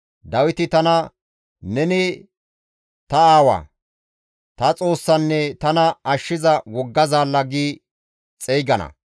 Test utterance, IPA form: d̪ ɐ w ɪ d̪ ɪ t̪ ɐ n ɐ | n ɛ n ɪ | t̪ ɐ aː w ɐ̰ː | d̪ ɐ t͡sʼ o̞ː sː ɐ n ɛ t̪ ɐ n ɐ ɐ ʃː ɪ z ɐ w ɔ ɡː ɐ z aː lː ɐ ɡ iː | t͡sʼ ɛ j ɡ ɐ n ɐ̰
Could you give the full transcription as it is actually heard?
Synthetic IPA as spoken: d̪ ɐ w ɪ t̪ ɪ t̪ ɐ n ɐ | n ɛ n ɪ | t̪ ɐ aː w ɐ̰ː | t̪ ɐ t͡sʼ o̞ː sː ɐ nː ɛ t̪ ɐ n ɐ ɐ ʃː ɪ z ɐ w ɔ ɡː ɐ z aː lː ɐ ɡ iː | t͡sʼ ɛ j ɡ ɐ n ɐ̰